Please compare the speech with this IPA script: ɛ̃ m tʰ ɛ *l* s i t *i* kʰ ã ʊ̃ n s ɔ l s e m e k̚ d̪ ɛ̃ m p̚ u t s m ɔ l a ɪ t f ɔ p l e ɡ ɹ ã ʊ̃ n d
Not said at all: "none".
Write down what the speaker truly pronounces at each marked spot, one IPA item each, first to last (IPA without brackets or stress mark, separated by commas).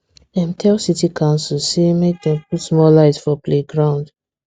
l, i